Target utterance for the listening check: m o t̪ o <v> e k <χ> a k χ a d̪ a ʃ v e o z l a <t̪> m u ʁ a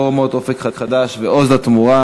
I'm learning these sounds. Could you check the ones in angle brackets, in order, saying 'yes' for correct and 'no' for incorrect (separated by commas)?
no, yes, yes